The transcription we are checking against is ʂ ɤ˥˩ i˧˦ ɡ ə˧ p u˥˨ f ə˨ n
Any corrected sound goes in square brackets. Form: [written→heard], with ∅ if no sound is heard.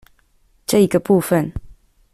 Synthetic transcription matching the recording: [ʂ→ʈ͡ʂ] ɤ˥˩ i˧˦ ɡ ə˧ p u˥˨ f ə˨ n